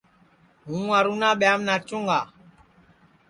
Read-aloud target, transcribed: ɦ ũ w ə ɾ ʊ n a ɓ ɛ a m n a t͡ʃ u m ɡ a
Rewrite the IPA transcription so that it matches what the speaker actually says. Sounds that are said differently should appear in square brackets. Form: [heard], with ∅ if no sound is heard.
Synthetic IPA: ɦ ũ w [a] ɾ [u] n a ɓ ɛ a m n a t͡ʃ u [ŋ] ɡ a